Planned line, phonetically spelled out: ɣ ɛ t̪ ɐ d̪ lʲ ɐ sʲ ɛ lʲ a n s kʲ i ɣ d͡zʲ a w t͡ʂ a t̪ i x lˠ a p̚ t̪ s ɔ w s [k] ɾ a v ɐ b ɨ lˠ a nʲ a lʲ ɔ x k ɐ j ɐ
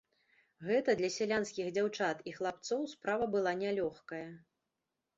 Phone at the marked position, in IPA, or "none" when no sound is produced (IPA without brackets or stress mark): p